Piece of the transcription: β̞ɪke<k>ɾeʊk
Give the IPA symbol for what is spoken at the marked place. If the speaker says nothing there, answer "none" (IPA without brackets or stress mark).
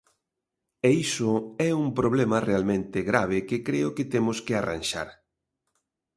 k